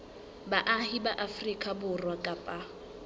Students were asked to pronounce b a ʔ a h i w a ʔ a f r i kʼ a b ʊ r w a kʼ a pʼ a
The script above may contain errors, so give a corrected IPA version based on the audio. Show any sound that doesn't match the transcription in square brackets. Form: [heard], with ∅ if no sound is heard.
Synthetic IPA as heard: b a ʔ a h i [b] a ʔ a f r i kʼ a b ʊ r w a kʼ a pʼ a